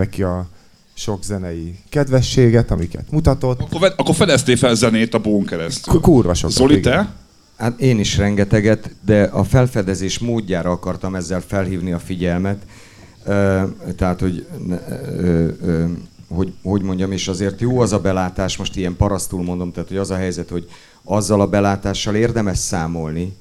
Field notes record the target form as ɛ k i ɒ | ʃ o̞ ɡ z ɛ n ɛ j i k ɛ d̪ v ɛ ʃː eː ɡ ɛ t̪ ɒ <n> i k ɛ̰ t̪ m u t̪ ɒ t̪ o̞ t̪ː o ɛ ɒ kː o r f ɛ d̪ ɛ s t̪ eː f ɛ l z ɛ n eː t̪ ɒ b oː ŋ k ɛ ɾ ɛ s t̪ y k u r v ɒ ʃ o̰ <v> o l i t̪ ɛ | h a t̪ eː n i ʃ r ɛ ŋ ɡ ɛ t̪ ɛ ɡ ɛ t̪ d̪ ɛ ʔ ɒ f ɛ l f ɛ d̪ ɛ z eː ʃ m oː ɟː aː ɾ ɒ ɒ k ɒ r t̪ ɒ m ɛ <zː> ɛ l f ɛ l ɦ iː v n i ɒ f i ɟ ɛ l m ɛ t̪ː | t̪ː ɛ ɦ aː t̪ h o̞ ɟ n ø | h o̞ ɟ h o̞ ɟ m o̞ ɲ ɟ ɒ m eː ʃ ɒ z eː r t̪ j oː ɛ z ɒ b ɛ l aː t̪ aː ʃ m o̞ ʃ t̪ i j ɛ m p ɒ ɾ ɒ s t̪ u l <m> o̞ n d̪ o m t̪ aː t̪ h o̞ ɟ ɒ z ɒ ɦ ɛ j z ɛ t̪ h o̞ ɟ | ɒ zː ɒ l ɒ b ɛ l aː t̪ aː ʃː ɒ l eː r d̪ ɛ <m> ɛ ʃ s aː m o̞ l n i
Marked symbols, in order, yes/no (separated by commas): no, no, yes, yes, yes